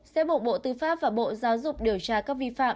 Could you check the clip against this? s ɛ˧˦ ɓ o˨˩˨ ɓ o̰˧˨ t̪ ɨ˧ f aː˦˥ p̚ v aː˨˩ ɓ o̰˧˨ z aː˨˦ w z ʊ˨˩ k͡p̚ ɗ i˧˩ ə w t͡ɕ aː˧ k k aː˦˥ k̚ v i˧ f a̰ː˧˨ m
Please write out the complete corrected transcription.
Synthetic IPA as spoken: s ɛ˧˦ ɓ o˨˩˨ ɓ o̰˧˨ t̪ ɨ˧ f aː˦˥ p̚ v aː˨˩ ɓ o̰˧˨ z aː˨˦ w z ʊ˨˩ k͡p̚ ɗ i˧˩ ə w t͡ɕ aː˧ k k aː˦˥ k̚ v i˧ f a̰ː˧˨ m